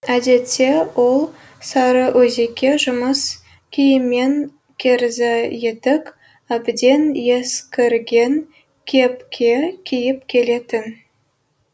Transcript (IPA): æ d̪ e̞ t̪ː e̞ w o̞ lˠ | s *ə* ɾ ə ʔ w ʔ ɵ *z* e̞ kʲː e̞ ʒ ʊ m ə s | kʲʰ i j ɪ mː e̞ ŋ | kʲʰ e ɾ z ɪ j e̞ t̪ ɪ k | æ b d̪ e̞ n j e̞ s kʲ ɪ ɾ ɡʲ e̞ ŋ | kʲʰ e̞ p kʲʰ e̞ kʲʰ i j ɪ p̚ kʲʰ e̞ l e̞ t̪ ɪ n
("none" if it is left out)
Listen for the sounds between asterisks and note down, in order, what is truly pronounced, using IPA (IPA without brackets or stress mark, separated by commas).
ɑ, z